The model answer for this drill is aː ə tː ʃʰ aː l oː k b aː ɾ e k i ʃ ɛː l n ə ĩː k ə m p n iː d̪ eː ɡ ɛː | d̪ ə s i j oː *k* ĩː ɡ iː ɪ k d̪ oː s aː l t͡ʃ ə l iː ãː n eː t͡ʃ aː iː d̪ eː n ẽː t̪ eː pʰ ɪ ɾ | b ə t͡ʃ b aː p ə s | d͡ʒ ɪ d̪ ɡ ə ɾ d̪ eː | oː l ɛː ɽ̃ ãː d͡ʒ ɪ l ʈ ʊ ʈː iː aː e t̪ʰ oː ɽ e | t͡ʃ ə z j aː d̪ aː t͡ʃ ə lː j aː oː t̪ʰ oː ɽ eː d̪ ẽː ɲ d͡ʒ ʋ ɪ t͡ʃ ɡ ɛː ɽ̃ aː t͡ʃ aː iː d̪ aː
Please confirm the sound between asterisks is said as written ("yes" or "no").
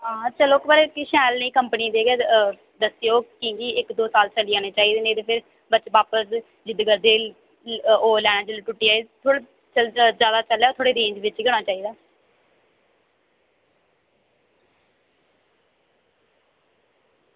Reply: yes